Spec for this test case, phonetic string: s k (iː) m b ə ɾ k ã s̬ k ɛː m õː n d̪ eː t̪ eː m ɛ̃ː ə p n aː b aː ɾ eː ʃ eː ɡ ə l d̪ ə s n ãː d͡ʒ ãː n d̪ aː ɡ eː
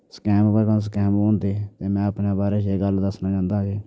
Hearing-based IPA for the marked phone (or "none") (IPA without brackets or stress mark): ɛː